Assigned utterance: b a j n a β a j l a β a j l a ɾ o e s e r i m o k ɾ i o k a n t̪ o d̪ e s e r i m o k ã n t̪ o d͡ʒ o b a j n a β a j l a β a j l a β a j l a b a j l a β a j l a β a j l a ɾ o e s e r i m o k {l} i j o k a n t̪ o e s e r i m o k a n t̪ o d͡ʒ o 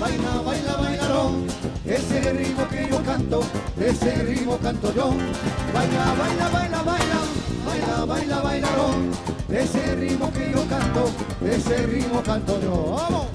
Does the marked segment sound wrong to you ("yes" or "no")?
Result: yes